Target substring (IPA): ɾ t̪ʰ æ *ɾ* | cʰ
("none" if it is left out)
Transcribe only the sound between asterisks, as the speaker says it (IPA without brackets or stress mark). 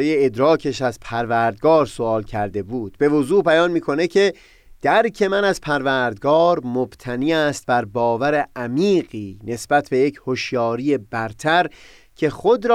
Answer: ɾ